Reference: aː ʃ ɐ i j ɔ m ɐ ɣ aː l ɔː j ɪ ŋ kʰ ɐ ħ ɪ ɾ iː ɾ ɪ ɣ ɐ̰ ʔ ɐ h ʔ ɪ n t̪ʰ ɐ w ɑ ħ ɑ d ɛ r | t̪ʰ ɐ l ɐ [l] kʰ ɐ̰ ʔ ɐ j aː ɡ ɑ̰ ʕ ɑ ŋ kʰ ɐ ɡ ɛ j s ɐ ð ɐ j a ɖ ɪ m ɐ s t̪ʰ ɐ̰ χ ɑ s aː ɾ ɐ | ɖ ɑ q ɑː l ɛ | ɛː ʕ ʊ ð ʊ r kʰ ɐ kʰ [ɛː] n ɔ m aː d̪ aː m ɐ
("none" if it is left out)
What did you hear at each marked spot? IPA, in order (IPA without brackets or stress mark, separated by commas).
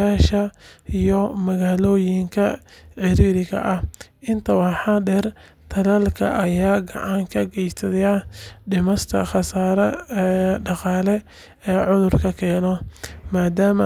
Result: l, ɛː